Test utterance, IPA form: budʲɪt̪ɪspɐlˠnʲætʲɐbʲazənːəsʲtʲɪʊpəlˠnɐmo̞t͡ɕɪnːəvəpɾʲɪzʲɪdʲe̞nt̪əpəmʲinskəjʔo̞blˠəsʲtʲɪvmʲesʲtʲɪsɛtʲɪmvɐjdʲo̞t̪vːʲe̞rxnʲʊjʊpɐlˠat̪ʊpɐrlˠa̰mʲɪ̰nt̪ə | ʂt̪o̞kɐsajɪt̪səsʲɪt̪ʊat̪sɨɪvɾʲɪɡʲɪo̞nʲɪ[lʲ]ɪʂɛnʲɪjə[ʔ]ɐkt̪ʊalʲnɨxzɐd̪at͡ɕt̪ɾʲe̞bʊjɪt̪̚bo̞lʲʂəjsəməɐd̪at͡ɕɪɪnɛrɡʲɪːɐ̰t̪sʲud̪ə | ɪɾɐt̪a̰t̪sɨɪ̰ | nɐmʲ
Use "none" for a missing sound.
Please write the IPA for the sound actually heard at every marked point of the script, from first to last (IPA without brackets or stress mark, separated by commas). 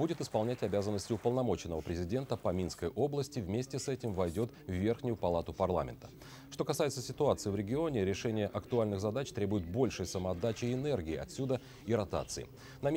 ɾʲ, ʔ